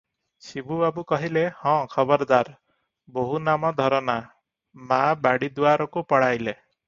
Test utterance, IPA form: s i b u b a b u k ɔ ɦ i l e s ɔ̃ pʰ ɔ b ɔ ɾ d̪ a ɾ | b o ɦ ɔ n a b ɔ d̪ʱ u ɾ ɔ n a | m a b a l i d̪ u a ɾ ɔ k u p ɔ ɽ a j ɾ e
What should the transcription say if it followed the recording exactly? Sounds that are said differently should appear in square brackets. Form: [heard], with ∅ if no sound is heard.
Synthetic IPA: s i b u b a b u k ɔ ɦ i l e [h] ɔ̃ [kʰ] ɔ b ɔ ɾ d̪ a ɾ | b o ɦ [u] n a [m] ɔ d̪ʱ [ɔ] ɾ ɔ n a | m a b a [ɽ] i d̪ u a ɾ ɔ k u p ɔ ɽ a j [l] e